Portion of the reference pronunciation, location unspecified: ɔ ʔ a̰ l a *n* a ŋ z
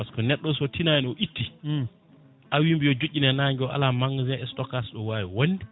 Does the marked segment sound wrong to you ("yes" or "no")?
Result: yes